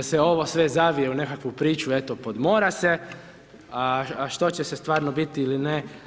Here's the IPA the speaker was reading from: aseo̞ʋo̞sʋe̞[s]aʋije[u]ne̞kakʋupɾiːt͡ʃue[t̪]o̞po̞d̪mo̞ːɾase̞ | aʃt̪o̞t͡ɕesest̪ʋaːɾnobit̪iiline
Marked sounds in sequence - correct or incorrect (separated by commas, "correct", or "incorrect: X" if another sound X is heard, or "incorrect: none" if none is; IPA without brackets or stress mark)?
incorrect: z, correct, correct